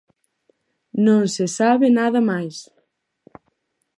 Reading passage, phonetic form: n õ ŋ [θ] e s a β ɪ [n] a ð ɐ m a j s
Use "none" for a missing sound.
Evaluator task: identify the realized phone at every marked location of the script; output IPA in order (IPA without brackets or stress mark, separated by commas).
s, n